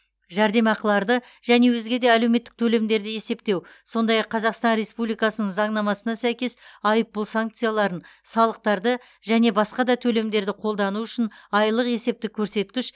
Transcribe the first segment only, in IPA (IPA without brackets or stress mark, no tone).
ʒ